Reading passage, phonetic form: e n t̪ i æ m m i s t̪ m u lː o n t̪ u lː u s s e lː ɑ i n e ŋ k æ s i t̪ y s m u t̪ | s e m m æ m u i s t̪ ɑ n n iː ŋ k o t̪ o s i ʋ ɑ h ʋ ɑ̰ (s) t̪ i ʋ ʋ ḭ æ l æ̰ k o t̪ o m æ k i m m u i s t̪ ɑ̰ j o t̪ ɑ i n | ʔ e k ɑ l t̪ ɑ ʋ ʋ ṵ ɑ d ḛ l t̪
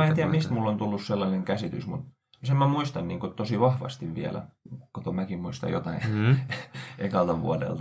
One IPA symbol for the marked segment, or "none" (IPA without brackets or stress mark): s